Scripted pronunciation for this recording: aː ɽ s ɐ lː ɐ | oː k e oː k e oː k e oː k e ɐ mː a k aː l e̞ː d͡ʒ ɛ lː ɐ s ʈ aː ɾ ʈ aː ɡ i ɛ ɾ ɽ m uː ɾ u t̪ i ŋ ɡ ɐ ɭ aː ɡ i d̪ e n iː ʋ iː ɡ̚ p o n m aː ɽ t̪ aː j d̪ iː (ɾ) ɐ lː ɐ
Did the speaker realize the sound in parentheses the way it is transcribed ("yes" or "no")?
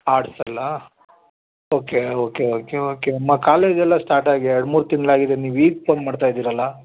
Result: yes